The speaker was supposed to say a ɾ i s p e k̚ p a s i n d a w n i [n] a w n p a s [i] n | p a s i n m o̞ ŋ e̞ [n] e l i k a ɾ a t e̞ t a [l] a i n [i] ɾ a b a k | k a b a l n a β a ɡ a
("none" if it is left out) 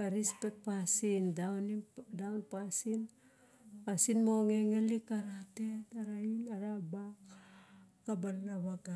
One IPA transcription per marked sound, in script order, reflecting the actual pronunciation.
d, i, ŋ, ɾ, a

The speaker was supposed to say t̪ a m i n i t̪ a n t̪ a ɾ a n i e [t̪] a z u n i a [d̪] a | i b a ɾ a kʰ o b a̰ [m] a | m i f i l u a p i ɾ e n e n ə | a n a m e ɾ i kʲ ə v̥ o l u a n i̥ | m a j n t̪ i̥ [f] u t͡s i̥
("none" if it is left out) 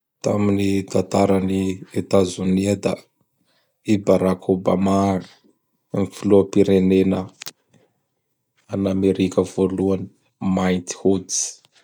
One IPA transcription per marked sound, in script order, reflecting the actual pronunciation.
t̪, d̪, m, h

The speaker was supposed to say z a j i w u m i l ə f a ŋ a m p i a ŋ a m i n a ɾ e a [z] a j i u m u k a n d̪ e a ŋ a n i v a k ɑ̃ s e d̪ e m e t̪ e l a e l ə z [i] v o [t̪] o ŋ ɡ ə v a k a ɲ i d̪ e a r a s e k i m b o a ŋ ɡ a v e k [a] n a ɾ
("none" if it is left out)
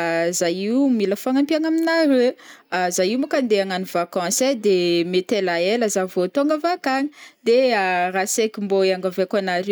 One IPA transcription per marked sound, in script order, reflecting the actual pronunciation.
z, a, t̪, a

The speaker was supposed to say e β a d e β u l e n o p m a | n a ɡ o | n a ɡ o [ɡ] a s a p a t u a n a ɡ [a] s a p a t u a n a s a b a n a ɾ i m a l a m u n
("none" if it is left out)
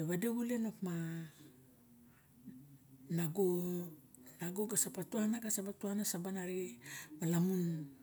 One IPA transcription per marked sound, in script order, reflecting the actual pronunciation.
ɡ, a

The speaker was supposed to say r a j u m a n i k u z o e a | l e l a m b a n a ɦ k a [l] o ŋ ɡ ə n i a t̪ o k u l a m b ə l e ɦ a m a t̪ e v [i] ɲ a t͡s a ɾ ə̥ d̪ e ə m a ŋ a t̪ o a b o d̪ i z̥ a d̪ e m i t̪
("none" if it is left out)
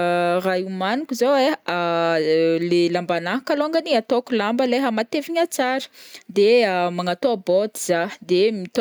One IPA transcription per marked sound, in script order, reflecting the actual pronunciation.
l, i

